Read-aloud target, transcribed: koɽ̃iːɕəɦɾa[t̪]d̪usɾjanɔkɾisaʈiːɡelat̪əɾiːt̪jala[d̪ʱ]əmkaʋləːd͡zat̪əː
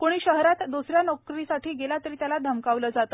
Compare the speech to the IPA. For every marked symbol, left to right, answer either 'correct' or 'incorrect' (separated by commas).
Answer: correct, correct